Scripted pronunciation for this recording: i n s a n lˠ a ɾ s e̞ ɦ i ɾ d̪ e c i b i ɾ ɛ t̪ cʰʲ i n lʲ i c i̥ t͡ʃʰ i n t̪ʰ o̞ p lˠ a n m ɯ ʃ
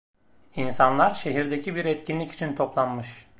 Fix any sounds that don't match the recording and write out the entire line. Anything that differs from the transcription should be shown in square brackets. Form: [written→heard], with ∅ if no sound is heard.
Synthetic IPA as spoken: i n s a n lˠ a ɾ [s→ʃ] e̞ ɦ i ɾ d̪ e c i b i ɾ ɛ t̪ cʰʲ i n lʲ i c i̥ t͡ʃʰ i n t̪ʰ o̞ p lˠ a n m ɯ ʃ